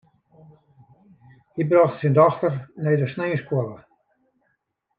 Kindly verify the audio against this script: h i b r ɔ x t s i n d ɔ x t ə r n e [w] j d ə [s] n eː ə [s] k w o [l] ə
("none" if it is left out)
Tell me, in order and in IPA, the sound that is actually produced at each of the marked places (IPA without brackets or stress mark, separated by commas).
none, s, s, l